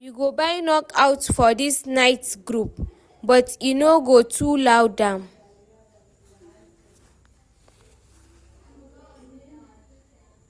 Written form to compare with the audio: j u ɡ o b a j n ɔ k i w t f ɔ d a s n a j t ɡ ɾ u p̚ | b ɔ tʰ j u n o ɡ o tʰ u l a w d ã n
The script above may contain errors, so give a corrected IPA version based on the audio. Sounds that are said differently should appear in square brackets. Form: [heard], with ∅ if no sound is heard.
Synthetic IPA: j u ɡ o b a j n ɔ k [a] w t f ɔ d [i] s n a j t ɡ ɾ u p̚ | b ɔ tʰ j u n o ɡ o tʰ u l a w d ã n